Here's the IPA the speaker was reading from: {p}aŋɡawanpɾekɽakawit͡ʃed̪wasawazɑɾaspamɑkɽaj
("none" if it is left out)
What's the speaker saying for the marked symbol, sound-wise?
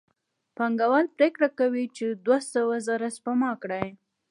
p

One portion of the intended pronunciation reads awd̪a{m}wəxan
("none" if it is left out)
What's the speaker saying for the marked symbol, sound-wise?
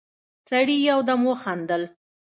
m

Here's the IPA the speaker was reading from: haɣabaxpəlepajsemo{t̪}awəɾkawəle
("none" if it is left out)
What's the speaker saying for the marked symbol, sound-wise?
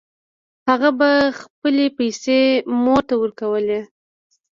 t̪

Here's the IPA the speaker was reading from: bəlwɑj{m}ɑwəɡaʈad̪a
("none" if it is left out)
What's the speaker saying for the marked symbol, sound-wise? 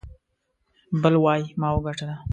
m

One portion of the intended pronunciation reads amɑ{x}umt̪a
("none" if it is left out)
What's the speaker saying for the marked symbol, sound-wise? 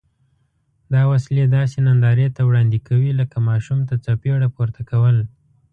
ʃ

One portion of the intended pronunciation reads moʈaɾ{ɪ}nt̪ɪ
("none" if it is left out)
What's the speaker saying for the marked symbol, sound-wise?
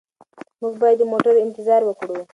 ɪ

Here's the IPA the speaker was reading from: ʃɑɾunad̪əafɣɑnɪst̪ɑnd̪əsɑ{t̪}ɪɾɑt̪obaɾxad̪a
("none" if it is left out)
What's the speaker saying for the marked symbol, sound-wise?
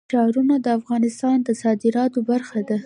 d̪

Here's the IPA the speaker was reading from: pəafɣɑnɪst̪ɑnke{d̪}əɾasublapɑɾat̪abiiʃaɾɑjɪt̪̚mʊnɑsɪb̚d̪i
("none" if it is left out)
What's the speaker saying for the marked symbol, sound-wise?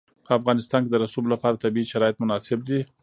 d̪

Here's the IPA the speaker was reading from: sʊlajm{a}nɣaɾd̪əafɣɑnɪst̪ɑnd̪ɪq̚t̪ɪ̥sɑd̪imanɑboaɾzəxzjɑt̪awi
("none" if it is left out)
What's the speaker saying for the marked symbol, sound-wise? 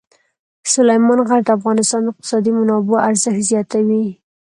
ɑ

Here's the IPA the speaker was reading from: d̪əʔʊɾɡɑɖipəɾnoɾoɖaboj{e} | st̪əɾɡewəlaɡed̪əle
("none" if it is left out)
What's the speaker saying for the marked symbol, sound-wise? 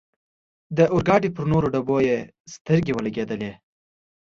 e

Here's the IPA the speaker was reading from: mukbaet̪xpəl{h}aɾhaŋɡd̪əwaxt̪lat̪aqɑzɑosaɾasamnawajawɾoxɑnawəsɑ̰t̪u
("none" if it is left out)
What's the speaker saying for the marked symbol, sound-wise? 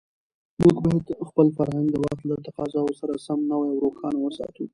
f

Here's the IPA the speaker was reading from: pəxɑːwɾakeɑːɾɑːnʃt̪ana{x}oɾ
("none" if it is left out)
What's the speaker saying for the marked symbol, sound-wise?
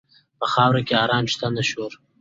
ʃ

